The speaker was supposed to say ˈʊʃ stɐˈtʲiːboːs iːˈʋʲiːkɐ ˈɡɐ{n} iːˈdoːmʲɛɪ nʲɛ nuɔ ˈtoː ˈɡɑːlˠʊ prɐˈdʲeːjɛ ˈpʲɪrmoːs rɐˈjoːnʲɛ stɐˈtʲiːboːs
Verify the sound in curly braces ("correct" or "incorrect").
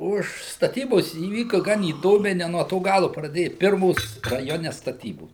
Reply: correct